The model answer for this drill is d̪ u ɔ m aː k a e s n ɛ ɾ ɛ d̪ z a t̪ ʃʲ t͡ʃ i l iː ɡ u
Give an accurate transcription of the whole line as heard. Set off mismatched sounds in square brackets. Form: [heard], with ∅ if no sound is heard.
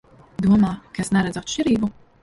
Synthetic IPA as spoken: d̪ u ɔ m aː k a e s n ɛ ɾ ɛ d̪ z a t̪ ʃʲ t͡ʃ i [ɾ] iː [b] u